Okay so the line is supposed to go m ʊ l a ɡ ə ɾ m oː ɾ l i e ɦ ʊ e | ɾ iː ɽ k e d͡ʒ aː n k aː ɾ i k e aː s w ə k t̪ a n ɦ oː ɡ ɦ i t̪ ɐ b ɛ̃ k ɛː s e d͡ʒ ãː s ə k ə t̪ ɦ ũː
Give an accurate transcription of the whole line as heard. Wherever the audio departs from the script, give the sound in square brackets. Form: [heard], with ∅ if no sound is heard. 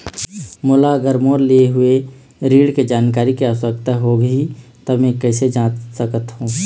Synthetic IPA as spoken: m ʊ l a ɡ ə ɾ m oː ɾ l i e ɦ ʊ e | ɾ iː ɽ k e d͡ʒ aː n k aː ɾ i k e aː s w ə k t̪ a [∅] ɦ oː ɡ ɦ i t̪ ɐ [m] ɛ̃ k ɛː s e d͡ʒ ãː s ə k ə t̪ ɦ ũː

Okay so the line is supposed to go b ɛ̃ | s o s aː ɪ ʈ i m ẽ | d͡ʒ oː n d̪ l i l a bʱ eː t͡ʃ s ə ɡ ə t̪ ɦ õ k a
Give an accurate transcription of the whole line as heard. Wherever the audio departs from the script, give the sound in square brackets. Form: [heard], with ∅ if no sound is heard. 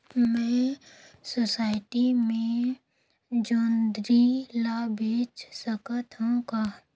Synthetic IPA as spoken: [m] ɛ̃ | s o s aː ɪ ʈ i m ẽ | d͡ʒ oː n d̪ [ɾ] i l a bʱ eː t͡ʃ s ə [k] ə t̪ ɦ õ k a

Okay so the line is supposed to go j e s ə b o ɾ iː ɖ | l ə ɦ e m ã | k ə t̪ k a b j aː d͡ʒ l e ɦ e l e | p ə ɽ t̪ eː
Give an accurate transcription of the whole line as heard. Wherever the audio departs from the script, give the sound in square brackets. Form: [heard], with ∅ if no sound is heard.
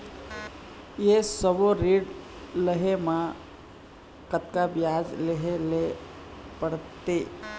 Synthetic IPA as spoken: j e s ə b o ɾ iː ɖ | l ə ɦ e m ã | k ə t̪ k a b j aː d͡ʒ l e ɦ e l e | p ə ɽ t̪ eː

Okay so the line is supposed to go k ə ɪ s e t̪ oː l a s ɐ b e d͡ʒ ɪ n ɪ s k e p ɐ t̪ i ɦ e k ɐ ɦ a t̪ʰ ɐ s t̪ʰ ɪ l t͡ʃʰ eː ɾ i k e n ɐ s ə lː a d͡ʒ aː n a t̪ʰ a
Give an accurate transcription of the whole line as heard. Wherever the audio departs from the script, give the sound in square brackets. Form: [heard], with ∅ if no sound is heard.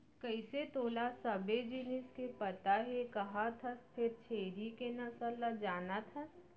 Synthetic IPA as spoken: k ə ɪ s e t̪ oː l a s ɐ b e d͡ʒ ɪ n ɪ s k e p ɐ t̪ [a] ɦ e k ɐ ɦ a t̪ʰ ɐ s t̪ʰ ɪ [ɾ] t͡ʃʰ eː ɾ i k e n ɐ s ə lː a d͡ʒ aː n a t̪ʰ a

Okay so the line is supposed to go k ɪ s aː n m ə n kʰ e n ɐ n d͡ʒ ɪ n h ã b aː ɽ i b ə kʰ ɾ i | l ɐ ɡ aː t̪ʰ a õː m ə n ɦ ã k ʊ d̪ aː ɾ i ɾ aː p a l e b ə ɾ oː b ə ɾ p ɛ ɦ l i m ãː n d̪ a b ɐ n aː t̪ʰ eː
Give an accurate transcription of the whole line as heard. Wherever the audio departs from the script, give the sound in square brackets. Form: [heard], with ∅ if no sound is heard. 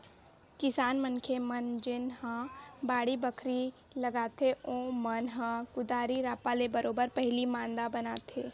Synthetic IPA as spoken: k ɪ s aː n m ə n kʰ e [m] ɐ n d͡ʒ ɪ n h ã b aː ɽ i b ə kʰ ɾ i | l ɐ ɡ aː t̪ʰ [e] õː m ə n ɦ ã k ʊ d̪ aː ɾ i ɾ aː p a l e b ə ɾ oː b ə ɾ p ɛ ɦ l i m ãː n d̪ a b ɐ n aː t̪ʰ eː

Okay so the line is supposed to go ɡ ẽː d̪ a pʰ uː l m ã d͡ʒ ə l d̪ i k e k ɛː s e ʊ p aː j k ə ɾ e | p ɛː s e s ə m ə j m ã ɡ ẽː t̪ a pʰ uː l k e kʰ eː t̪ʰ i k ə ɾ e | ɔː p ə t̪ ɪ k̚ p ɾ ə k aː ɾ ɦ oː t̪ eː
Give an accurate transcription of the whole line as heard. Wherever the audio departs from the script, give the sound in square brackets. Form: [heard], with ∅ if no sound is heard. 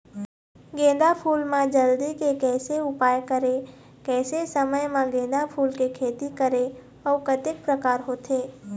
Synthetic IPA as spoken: ɡ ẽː d̪ a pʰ uː l m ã d͡ʒ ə l d̪ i k e k ɛː s e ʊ p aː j k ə ɾ e | [k] ɛː s e s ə m ə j m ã ɡ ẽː [d̪] a pʰ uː l k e kʰ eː [t̪] i k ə ɾ e | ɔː [k] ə t̪ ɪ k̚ p ɾ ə k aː ɾ ɦ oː t̪ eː

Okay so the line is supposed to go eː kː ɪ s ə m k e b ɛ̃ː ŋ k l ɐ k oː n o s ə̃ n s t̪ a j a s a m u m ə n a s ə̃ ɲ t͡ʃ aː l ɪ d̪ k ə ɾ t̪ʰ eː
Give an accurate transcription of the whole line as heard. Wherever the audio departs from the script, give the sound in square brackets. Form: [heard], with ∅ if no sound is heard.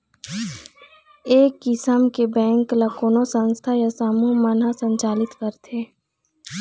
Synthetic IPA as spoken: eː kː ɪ s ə m k e b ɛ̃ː ŋ k l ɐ k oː n o s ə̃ n s [t̪ʰ] a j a s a m u m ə n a s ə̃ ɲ t͡ʃ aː l ɪ [t̪] k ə ɾ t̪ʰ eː

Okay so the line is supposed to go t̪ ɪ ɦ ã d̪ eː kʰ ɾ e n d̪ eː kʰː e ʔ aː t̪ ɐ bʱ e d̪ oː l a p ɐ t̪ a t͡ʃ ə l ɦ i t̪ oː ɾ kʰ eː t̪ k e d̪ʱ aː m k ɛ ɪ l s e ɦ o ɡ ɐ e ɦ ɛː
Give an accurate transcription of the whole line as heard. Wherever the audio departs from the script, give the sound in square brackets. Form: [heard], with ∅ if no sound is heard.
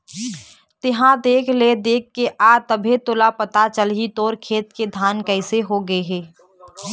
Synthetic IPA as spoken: t̪ ɪ ɦ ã d̪ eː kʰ [l] e [∅] d̪ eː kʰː e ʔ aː t̪ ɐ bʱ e [t̪] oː l a p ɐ t̪ a t͡ʃ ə l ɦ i t̪ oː ɾ kʰ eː t̪ k e d̪ʱ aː [n] k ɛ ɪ [∅] s e ɦ o ɡ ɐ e ɦ ɛː

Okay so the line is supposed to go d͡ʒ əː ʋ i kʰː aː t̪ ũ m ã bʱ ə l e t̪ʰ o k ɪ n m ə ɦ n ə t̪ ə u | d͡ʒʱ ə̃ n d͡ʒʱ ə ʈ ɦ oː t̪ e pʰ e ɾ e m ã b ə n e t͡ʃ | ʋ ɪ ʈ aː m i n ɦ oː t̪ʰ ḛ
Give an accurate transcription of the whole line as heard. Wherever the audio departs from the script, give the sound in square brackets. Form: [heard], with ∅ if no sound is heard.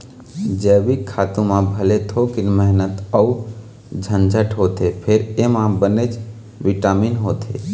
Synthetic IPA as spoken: d͡ʒ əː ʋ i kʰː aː t̪ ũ m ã bʱ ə l e t̪ʰ o k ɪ n m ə ɦ n ə t̪ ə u | d͡ʒʱ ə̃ n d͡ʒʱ ə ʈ ɦ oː t̪ e pʰ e ɾ e m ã b ə n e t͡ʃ | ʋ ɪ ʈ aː m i n ɦ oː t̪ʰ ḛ

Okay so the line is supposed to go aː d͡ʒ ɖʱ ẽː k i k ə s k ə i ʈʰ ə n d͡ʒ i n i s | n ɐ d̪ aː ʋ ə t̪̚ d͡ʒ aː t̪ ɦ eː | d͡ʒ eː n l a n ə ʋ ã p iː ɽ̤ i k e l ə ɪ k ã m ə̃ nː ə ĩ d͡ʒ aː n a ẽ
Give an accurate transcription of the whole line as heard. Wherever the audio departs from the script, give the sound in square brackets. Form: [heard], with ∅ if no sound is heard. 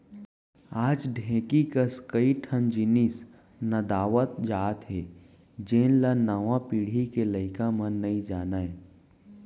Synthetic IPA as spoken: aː d͡ʒ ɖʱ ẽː k i k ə s k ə i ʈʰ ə n d͡ʒ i n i s | n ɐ d̪ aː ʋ ə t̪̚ d͡ʒ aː t̪ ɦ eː | d͡ʒ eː n l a n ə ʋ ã p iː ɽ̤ i k e l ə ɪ k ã m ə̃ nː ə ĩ d͡ʒ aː n a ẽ

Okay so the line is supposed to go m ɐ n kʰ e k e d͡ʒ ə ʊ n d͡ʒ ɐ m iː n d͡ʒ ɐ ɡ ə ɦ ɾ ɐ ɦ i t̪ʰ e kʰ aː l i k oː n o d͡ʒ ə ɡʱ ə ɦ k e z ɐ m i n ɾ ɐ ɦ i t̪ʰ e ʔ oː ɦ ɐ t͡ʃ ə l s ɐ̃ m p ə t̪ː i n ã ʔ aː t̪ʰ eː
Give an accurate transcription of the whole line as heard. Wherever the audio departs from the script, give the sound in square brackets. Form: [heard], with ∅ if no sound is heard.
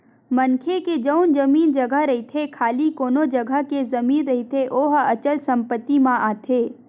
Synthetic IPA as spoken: m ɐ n kʰ e k e d͡ʒ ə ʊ n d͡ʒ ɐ m iː n d͡ʒ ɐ ɡ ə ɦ ɾ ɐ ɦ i t̪ʰ e kʰ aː l i k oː n o d͡ʒ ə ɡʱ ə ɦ k e z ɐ m [iː] n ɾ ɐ ɦ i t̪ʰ e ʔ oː ɦ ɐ t͡ʃ ə l s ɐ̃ m p ə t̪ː i [m] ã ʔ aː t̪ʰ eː

